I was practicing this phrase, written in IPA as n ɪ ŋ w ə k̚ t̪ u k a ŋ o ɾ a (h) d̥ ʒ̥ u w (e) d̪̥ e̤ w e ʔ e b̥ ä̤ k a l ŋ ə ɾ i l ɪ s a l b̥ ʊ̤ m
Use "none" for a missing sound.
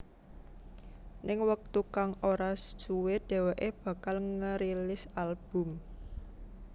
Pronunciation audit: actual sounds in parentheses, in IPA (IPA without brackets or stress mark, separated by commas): s, e